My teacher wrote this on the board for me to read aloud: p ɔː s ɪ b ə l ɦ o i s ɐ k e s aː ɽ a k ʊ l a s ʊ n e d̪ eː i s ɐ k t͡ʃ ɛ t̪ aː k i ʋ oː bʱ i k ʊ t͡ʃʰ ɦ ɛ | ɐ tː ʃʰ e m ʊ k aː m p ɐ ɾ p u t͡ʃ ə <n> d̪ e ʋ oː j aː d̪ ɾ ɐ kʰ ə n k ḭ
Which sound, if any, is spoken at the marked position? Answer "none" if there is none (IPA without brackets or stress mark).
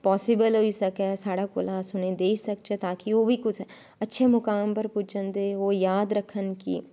n